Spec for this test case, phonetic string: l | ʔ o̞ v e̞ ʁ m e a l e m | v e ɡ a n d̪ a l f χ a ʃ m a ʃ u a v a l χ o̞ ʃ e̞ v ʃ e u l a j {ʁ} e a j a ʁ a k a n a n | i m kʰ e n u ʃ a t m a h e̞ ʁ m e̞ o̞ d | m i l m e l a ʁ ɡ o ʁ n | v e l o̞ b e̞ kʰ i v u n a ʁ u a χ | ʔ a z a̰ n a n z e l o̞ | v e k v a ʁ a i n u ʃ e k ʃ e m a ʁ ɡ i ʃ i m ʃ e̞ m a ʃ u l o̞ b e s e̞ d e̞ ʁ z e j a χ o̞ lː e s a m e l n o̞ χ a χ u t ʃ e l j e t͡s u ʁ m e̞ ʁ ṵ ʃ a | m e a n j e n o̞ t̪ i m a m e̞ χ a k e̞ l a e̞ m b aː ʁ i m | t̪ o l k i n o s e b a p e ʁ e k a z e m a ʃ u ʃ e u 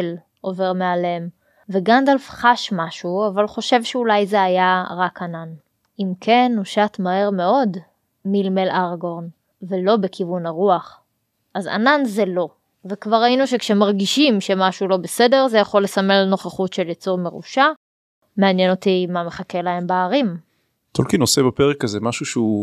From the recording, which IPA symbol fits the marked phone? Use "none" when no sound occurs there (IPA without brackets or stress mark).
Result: z